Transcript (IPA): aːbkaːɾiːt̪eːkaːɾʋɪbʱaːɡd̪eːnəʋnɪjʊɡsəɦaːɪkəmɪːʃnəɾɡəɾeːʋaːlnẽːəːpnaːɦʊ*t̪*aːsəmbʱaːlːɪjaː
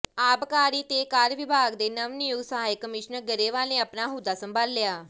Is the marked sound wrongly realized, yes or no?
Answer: yes